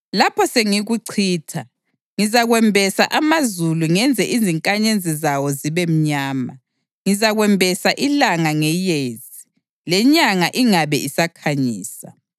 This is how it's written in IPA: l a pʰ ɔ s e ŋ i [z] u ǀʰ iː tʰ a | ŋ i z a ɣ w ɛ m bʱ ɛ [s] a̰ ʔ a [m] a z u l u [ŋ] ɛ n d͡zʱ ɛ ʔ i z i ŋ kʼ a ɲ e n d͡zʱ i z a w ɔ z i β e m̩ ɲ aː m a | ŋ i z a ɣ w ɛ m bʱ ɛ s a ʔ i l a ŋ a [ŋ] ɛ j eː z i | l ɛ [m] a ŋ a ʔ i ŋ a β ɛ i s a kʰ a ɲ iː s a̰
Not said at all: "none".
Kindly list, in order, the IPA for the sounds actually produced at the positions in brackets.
ɣ, s, m, ŋ, ŋ, ɲ

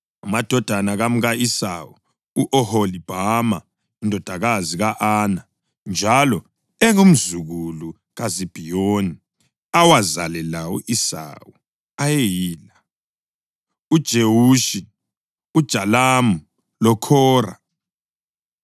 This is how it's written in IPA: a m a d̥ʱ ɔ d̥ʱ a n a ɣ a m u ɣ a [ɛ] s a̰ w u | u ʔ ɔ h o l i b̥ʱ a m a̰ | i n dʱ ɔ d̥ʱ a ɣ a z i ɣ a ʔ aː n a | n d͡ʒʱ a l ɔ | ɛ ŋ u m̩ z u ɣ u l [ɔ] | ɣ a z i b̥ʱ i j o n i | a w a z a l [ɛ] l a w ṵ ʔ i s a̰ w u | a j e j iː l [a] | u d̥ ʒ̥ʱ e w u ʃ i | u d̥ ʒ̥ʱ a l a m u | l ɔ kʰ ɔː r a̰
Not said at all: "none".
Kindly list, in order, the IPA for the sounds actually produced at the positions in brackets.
i, u, ɛ, a

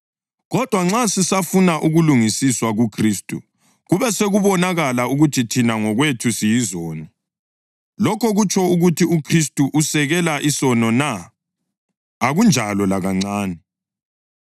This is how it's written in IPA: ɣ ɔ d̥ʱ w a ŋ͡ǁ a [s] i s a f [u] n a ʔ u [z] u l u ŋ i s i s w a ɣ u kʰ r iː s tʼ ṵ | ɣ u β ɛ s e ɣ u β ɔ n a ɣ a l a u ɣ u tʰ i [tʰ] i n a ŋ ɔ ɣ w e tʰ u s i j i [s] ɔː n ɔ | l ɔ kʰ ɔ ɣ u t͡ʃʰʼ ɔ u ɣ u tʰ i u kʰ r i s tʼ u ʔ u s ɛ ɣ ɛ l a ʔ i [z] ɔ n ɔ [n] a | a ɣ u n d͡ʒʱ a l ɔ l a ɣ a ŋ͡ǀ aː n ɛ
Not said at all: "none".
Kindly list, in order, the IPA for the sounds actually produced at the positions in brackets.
s, u, ɣ, tʰ, z, s, n

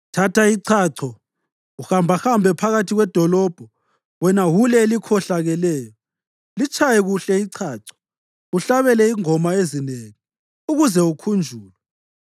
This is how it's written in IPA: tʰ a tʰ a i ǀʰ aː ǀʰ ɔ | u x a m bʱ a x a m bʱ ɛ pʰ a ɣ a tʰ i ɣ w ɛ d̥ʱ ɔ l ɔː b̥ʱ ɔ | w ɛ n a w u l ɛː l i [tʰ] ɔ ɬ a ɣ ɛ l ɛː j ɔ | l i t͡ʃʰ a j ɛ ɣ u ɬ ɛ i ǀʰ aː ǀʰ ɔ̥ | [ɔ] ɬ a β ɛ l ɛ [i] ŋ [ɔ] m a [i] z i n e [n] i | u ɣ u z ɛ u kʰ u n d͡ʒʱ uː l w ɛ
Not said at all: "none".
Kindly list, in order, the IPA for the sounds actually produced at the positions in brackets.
kʰ, u, i, ɔ, e, ŋ

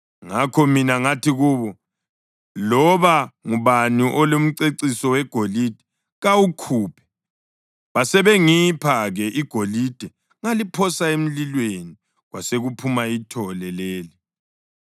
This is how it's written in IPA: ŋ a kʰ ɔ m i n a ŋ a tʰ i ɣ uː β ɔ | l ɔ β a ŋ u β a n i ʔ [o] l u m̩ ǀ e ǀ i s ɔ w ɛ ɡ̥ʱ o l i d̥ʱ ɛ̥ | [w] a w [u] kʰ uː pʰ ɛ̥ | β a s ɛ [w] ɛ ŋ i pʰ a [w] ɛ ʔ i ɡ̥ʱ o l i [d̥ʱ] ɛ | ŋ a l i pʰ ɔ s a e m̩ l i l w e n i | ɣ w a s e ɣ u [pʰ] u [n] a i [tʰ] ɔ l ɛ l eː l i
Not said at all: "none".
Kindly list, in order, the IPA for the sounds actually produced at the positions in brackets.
ɔ, ɣ, u, β, ɣ, d̥ʱ, pʰ, m, tʰ

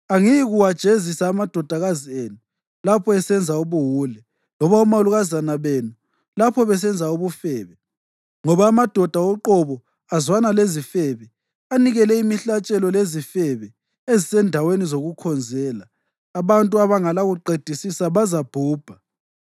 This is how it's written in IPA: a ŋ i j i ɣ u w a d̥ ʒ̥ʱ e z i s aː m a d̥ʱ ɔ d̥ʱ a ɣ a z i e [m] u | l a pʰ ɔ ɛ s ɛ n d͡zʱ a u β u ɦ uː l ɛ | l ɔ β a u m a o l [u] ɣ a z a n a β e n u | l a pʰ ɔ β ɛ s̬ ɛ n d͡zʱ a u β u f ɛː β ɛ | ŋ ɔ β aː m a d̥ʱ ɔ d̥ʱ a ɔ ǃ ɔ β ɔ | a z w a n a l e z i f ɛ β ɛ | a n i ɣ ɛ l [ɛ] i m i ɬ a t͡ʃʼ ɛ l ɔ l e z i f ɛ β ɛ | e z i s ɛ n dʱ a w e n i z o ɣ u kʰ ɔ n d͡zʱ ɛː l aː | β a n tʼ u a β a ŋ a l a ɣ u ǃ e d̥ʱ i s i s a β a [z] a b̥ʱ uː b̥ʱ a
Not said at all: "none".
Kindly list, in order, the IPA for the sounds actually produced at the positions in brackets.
n, u, ɛ, z

